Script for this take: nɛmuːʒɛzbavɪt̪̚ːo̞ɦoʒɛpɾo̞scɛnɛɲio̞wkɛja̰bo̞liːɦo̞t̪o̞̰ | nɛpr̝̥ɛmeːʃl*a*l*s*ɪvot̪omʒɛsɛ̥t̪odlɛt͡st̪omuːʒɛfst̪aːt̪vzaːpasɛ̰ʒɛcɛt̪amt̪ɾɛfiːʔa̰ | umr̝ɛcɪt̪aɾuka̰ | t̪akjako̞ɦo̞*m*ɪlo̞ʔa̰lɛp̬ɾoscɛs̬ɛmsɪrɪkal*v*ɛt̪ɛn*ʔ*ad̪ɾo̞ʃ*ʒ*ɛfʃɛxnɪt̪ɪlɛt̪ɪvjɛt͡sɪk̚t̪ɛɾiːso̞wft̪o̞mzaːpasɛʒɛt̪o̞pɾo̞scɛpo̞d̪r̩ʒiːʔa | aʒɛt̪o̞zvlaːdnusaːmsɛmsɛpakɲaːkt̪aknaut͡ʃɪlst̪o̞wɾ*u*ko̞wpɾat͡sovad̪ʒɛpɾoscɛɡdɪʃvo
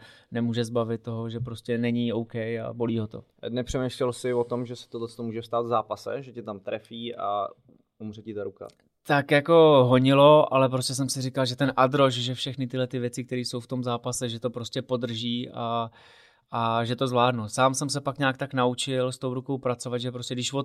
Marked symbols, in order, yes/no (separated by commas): no, yes, no, no, yes, yes, yes